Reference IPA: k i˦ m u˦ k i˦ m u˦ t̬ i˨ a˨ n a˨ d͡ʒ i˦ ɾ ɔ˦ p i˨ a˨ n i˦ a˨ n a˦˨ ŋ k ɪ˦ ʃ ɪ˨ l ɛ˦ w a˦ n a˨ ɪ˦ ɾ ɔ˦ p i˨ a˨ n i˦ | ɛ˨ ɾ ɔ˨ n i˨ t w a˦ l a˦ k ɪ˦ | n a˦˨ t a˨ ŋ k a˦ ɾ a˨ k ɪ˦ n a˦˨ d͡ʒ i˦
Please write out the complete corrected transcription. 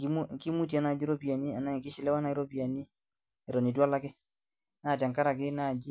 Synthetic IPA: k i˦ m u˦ k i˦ m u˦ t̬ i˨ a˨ n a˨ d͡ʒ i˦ ɾ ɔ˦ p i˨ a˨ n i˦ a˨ n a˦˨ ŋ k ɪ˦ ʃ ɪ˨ l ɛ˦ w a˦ n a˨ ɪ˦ ɾ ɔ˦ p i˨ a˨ n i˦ | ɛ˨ ɾ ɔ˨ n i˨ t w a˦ l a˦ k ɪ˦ | n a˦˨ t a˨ ŋ k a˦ ɾ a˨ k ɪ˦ n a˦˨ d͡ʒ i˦